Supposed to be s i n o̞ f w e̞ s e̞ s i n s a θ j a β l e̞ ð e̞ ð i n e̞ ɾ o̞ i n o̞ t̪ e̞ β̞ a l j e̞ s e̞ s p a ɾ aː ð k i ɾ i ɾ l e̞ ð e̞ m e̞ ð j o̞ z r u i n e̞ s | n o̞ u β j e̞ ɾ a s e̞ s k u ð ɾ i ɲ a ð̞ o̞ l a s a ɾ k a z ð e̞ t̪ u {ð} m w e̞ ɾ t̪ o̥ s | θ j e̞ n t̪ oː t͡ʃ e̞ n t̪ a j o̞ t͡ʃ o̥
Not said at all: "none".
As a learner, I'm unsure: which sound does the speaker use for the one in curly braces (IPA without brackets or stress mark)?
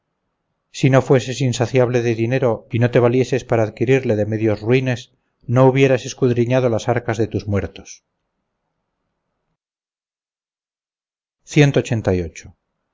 z